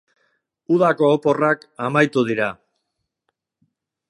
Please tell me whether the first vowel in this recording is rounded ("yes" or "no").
yes